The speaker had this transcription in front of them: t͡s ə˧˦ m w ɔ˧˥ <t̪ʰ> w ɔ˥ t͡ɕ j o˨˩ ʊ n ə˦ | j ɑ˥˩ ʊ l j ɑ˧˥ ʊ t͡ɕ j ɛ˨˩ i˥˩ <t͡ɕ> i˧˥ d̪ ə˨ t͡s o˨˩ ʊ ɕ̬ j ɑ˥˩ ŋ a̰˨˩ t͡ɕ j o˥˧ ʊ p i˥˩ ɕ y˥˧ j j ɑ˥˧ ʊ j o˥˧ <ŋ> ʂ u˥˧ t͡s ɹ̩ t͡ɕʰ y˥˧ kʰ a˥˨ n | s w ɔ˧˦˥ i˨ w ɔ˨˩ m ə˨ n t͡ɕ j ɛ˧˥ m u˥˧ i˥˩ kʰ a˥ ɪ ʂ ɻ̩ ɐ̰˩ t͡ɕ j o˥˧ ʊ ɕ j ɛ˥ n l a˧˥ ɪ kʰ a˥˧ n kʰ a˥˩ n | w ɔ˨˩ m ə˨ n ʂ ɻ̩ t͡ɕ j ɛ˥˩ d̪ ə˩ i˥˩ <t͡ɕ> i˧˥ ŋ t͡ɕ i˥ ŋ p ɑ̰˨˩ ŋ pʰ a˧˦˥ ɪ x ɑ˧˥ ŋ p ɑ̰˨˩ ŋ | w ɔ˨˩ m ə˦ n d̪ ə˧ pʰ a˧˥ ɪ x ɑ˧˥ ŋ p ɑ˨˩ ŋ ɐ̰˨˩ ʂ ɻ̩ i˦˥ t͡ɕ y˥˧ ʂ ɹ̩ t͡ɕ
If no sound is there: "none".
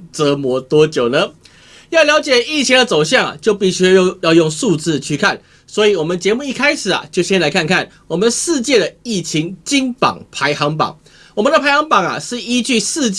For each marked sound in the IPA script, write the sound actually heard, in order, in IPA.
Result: t̪, t͡ɕʰ, ŋ, t͡ɕʰ

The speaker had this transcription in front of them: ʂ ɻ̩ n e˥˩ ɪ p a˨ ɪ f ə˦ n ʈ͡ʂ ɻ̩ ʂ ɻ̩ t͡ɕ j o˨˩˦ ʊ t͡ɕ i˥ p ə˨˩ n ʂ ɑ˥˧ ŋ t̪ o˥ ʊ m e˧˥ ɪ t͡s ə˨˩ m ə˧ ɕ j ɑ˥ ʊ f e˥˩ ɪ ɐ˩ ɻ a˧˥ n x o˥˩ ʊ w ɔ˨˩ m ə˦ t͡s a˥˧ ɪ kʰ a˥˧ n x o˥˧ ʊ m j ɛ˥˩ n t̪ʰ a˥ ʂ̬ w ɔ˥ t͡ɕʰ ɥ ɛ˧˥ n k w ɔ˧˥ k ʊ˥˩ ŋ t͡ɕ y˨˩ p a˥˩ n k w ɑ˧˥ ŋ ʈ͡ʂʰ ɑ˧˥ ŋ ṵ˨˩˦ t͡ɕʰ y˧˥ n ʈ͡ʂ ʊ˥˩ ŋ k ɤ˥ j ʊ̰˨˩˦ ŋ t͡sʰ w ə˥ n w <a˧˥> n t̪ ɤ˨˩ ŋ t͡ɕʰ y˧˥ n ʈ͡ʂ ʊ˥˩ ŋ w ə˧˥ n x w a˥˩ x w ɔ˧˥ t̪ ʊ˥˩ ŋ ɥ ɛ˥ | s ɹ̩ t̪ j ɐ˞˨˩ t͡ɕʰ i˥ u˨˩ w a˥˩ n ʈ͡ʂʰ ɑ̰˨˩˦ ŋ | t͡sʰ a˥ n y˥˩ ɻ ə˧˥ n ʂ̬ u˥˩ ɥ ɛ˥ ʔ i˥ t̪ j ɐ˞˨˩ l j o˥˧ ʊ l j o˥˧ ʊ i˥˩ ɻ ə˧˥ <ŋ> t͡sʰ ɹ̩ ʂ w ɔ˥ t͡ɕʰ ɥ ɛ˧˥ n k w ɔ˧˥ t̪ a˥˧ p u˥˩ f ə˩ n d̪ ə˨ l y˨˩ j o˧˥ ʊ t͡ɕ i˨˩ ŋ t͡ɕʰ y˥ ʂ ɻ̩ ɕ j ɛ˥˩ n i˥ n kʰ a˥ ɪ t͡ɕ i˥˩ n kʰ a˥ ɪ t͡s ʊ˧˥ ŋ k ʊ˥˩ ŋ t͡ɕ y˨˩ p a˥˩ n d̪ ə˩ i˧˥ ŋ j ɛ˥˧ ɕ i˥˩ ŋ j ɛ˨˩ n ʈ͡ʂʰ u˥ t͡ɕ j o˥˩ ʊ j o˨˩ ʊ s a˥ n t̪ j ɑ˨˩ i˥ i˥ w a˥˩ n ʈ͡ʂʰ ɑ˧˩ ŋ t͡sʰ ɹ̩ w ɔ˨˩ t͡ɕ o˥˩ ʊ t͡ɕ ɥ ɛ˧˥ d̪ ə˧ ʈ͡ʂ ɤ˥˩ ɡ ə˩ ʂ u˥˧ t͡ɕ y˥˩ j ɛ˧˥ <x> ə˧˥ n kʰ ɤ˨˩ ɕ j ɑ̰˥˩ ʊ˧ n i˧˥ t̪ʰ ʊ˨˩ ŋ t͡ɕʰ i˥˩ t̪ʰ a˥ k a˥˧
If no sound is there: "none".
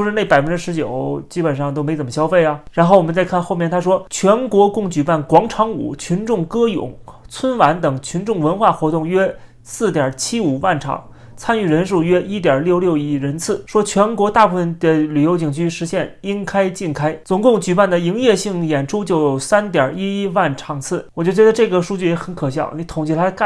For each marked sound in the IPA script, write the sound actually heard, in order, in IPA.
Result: a˧˥, n, x

